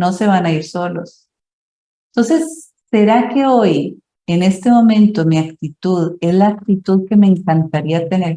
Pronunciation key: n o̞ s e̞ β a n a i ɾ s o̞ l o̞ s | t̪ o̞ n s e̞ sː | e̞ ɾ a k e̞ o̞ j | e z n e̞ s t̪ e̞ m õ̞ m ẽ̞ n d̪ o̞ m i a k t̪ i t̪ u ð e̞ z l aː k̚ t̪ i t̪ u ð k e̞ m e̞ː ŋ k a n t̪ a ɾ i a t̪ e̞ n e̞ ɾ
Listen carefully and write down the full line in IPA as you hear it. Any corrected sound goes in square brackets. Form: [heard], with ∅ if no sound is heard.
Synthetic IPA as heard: n o̞ s e̞ β a n a i ɾ s o̞ l o̞ s | t̪ o̞ n s e̞ sː | e̞ ɾ a k e̞ o̞ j | e [∅] n e̞ s t̪ e̞ m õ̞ m ẽ̞ n [t̪] o̞ m i a k t̪ i t̪ u ð e̞ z l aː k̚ t̪ i t̪ u ð k e̞ m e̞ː ŋ k a n t̪ a ɾ i a t̪ e̞ n e̞ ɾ